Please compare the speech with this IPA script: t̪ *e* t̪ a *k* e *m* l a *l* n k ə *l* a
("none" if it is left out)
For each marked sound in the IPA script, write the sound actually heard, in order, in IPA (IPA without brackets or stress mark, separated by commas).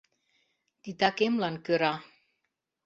i, k, m, none, ɾ